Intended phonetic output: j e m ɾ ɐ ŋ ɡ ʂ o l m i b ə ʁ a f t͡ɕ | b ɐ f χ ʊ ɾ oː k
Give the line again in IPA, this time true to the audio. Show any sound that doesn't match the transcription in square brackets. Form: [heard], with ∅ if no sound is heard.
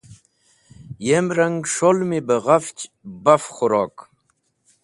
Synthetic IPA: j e m ɾ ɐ ŋ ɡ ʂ o l m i b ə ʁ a f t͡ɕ | b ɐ f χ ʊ ɾ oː k